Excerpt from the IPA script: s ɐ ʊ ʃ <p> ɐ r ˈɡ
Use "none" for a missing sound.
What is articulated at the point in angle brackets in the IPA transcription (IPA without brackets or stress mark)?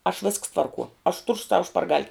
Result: p